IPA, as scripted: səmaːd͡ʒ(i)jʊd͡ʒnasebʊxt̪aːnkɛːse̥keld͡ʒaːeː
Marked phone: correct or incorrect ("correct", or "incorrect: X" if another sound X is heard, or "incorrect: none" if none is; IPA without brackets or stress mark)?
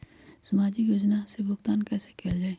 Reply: correct